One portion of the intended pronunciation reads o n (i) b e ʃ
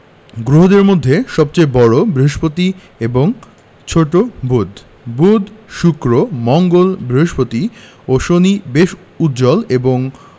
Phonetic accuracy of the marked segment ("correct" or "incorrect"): correct